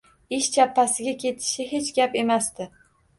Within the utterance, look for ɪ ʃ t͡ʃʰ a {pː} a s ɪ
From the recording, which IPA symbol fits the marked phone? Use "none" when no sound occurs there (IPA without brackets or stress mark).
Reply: pː